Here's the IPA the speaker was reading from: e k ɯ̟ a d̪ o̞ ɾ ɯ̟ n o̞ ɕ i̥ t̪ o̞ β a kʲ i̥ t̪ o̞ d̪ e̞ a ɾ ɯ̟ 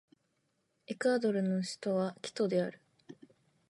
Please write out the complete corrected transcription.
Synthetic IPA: e k ɯ̟ a d̪ o̞ ɾ ɯ̟ n o̞ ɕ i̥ t̪ o̞ β a kʲ i̥ t̪ o̞ d̪ e̞ a ɾ ɯ̟